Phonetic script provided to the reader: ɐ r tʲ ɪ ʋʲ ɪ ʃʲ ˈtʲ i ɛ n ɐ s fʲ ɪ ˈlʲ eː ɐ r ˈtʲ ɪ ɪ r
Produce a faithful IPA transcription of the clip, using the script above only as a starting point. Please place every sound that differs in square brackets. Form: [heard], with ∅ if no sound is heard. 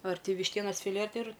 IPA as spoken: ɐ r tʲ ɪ ʋʲ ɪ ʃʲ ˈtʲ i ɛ n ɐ s fʲ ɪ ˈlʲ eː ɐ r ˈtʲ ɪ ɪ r